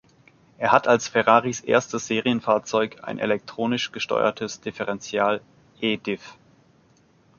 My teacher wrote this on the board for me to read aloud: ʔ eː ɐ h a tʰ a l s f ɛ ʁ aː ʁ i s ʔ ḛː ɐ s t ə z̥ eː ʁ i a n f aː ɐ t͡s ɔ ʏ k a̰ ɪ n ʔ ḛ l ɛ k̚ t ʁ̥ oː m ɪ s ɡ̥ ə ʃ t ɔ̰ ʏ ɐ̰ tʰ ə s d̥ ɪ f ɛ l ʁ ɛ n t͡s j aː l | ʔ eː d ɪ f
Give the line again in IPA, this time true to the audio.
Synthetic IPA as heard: ʔ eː ɐ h a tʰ a l s f ɛ ʁ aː ʁ i s ʔ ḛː ɐ s t ə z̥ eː ʁ i ə n f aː ɐ t͡s ɔ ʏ k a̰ ɪ n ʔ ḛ l ɛ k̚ t ʁ̥ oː n ɪ ʃ ɡ̥ ə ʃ t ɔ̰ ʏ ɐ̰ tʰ ə s d̥ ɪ f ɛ ʁ ɛ n t͡s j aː l | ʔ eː d ɪ f